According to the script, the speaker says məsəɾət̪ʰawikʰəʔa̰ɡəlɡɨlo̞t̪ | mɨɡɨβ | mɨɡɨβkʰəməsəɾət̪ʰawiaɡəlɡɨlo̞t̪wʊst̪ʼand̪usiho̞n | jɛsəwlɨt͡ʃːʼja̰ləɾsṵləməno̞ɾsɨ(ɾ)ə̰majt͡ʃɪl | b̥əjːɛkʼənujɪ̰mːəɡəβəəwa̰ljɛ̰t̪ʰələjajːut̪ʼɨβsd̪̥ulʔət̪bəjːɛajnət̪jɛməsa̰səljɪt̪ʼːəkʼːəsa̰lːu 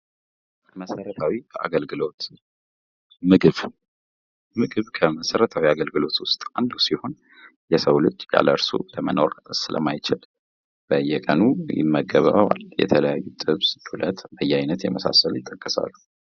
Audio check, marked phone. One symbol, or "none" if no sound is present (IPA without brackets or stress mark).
l